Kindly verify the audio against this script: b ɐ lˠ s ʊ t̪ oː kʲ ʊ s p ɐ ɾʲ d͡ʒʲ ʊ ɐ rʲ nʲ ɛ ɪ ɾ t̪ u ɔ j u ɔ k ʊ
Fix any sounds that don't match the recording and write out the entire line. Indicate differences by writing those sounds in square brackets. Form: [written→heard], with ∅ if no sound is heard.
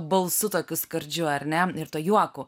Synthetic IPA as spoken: b ɐ lˠ s ʊ t̪ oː kʲ ʊ s [p→k] ɐ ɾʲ d͡ʒʲ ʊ ɐ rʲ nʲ ɛ ɪ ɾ t̪ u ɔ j u ɔ k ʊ